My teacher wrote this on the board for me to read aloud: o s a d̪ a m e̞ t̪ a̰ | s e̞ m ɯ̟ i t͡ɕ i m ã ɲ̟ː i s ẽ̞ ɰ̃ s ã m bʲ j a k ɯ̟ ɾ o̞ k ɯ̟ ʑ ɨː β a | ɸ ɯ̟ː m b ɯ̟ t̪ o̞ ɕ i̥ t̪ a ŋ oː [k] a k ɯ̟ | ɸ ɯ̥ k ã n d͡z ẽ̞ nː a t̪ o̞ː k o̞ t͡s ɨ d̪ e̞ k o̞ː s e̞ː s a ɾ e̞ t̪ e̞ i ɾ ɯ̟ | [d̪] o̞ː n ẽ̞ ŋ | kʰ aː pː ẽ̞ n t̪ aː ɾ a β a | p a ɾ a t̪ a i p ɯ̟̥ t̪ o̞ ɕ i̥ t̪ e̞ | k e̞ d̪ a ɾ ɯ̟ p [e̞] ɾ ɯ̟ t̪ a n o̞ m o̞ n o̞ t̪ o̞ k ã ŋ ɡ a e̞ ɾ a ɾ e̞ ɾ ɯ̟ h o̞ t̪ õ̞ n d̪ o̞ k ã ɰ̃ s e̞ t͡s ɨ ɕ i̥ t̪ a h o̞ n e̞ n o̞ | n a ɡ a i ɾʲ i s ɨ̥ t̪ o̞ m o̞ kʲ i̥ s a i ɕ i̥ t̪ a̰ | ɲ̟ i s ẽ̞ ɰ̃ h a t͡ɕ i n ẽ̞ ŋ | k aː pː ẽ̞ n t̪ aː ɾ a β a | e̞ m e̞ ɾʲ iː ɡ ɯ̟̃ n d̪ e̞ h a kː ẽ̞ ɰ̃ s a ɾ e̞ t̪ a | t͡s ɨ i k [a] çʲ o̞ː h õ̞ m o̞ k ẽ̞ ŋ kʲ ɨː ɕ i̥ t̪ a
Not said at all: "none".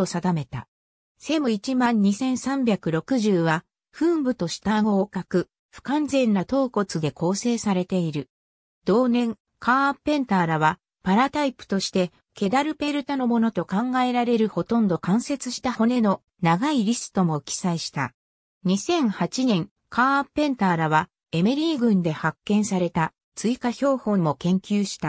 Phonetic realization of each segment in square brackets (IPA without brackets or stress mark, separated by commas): k, d̪, e̞, a